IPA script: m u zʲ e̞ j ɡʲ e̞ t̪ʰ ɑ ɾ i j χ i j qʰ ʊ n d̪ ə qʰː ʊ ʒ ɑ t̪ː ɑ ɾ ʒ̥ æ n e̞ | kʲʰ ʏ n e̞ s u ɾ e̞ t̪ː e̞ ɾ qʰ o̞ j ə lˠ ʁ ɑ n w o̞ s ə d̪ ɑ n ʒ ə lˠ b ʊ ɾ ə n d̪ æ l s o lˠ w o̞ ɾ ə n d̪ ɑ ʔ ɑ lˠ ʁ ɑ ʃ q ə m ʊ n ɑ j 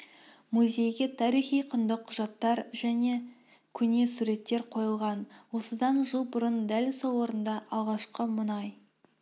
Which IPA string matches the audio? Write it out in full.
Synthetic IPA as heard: m u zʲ e̞ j ɡʲ e̞ t̪ʰ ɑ ɾ i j χ i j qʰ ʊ n d̪ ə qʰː ʊ ʒ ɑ t̪ː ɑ ɾ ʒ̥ æ n e̞ | kʲʰ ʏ n e̞ s u ɾ e̞ t̪ː e̞ ɾ qʰ o̞ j ə lˠ ʁ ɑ n w o̞ s ə d̪ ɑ n ʒ ə lˠ b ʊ ɾ ə n d̪ æ l s o lˠ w o̞ ɾ ə n d̪ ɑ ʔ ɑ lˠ ʁ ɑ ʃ q ə m ʊ n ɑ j